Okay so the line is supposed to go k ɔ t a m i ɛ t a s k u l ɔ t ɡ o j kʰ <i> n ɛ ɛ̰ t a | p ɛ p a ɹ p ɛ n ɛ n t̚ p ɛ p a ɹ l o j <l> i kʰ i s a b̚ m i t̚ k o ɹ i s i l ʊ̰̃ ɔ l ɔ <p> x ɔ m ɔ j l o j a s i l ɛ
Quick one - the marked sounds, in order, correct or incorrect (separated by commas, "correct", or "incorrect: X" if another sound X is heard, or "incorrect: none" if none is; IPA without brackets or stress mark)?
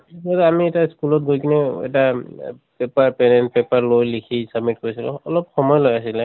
correct, correct, correct